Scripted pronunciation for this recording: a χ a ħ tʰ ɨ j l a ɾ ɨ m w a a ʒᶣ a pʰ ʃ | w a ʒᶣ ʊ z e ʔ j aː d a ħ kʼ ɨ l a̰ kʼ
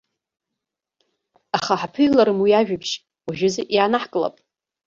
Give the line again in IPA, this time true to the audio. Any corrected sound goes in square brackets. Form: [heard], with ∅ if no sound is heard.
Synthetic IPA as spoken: a χ a ħ [pʰ] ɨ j l a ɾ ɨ m w [i] a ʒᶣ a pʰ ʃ | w a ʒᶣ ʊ z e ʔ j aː [n] a ħ kʼ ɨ l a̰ [pʼ]